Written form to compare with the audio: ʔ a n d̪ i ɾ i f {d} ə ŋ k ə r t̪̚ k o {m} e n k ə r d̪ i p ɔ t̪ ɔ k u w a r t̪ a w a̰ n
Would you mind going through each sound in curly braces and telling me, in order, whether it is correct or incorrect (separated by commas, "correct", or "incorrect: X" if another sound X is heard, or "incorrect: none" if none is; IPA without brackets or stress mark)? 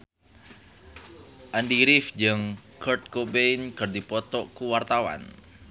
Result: incorrect: d͡ʒ, incorrect: b